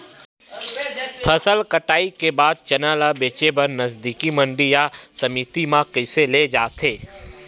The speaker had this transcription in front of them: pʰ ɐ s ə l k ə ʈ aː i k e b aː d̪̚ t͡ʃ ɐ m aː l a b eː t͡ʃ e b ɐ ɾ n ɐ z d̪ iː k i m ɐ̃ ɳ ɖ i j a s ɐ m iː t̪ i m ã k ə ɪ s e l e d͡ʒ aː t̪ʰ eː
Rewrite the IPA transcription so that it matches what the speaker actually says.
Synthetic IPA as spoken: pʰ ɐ s ə l k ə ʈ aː i k e b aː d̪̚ t͡ʃ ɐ n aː l a b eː t͡ʃ e b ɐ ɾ n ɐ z d̪ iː k i m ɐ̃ ɳ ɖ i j a s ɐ m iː t̪ i m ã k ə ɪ s e l e d͡ʒ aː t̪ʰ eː